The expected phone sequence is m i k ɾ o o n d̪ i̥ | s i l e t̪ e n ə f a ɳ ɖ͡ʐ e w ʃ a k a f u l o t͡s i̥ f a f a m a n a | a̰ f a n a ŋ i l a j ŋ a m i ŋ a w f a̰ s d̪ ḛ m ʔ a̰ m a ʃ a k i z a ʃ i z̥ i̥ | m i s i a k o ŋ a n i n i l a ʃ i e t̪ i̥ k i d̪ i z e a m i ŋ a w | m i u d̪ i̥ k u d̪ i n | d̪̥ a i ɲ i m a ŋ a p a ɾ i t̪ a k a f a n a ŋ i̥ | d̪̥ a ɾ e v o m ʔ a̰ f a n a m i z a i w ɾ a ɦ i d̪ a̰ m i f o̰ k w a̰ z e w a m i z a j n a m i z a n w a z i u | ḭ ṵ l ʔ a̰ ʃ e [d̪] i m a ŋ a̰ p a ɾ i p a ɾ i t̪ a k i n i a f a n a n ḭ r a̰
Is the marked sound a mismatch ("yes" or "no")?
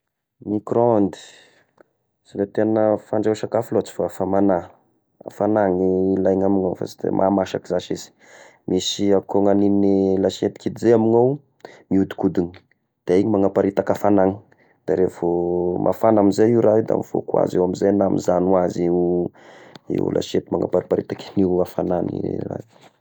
yes